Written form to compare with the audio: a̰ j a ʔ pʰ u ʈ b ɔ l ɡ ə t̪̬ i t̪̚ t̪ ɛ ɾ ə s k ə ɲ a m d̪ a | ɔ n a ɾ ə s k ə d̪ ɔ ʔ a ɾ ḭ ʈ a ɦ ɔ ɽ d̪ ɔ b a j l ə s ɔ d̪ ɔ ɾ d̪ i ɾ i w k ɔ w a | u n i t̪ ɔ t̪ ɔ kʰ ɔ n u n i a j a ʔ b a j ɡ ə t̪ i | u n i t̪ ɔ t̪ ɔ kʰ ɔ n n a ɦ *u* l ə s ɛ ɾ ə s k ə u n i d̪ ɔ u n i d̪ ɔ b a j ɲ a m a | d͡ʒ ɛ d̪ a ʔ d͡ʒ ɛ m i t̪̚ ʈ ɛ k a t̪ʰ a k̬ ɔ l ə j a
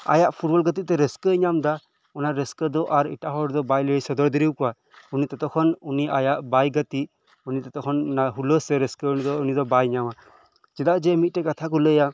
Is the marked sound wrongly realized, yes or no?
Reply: no